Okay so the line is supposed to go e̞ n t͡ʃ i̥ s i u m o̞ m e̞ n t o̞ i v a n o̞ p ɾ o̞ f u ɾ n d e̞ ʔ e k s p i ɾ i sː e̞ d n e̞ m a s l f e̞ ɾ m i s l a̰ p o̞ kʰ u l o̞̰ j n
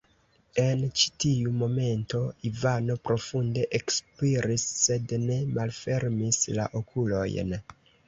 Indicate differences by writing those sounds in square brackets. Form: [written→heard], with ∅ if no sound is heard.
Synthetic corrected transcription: e̞ n t͡ʃ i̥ [s→t] i u m o̞ m e̞ n t o̞ i v a n o̞ p ɾ o̞ f u [ɾ→∅] n d e̞ ʔ e k s p i ɾ i sː e̞ d n e̞ m a [s→∅] l f e̞ ɾ m i s l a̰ [p→ʔ] o̞ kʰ u l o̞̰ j n